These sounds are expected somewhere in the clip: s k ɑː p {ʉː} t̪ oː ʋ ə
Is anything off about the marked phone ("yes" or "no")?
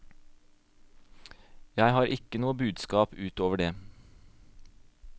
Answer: no